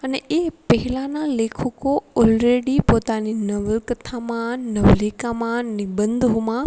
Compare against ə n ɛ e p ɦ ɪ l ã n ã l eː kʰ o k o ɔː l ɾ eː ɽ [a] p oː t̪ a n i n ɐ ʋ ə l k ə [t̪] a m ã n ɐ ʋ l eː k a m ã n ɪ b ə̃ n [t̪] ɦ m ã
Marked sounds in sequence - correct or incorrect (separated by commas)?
incorrect, incorrect, incorrect